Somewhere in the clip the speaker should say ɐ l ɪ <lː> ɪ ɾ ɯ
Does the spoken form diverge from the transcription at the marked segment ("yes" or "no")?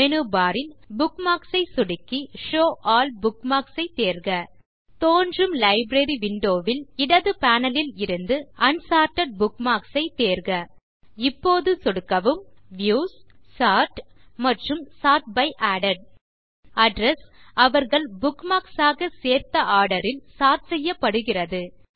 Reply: yes